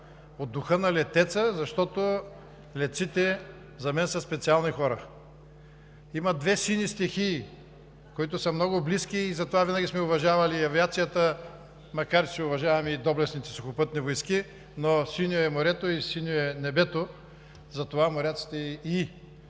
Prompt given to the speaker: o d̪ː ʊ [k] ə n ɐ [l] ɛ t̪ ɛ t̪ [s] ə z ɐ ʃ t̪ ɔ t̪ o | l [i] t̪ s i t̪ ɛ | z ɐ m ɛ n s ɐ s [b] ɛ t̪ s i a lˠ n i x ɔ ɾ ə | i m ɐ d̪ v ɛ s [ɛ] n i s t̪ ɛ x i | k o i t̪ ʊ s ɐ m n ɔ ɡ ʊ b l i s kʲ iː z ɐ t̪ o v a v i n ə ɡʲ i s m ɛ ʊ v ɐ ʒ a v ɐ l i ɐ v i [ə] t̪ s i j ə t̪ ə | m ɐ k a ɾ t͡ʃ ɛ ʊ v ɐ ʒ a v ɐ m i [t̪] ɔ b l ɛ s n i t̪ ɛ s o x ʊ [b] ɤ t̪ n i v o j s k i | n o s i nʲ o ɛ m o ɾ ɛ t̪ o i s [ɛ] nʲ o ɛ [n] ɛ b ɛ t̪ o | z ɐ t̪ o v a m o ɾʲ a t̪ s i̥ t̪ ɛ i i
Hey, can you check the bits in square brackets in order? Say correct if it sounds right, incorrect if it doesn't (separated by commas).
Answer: incorrect, correct, correct, incorrect, incorrect, incorrect, incorrect, incorrect, incorrect, incorrect, correct